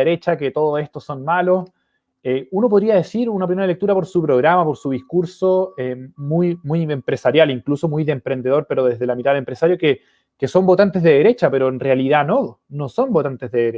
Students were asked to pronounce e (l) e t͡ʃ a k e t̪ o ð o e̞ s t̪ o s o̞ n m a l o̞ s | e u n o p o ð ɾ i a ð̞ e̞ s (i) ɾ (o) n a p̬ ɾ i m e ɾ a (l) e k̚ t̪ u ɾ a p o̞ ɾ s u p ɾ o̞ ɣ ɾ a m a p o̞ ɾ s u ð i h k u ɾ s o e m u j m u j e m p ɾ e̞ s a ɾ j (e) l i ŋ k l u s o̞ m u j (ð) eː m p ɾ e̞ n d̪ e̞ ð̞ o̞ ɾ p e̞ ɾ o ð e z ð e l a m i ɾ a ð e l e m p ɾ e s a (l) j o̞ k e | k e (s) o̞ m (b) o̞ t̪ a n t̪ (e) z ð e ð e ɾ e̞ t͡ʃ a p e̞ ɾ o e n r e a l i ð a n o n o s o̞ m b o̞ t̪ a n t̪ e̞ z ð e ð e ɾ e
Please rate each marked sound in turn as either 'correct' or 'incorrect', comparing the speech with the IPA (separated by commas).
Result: incorrect, correct, incorrect, correct, incorrect, correct, incorrect, correct, correct, correct